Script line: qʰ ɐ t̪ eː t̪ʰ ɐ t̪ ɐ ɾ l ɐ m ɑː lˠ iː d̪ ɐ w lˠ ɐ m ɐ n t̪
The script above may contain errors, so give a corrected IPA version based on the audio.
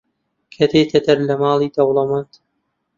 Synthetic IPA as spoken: kʰ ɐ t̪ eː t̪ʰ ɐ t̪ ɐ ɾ l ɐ m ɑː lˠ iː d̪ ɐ w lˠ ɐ m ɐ n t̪